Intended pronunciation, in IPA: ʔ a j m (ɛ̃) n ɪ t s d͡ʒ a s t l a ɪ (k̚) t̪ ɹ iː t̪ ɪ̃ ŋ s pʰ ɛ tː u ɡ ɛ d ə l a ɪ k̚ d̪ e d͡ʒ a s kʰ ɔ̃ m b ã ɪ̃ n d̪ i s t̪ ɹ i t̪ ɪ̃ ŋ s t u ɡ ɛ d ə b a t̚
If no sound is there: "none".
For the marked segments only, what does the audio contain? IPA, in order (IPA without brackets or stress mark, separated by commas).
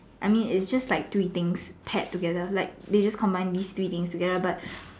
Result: ĩ, k̚